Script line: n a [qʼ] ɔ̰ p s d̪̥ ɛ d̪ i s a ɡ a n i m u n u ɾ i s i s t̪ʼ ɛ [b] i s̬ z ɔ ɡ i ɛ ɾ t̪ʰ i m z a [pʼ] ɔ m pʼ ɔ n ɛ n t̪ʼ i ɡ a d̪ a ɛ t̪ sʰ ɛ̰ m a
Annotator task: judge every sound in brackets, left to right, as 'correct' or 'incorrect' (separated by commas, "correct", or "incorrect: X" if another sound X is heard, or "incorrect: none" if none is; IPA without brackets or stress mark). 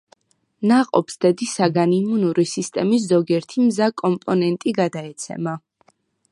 correct, incorrect: m, incorrect: kʼ